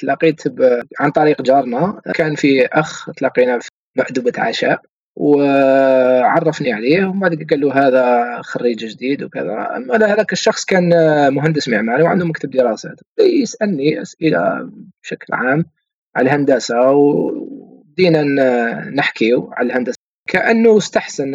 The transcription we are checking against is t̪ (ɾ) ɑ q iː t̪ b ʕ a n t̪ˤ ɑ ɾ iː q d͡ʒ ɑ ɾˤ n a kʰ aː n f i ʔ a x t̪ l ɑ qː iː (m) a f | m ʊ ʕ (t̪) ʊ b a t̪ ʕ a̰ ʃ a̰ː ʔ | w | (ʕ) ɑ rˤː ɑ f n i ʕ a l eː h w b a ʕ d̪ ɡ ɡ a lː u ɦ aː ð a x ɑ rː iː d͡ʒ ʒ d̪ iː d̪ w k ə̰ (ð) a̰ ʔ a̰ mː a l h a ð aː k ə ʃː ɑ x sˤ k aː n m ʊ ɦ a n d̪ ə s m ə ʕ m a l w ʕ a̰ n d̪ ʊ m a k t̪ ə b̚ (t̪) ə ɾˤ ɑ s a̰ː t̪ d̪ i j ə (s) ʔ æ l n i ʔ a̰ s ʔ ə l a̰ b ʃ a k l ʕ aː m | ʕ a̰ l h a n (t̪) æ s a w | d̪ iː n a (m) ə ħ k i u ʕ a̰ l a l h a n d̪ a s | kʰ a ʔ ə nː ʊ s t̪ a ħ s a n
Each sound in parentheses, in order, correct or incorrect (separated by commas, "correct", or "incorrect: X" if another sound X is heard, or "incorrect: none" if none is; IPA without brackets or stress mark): incorrect: l, incorrect: n, incorrect: d̪, correct, correct, incorrect: d̪, correct, incorrect: d̪, incorrect: n